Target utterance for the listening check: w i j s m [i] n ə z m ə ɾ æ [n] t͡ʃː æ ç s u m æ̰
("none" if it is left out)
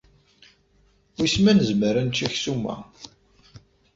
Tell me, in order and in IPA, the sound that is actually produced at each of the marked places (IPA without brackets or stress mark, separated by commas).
æ, n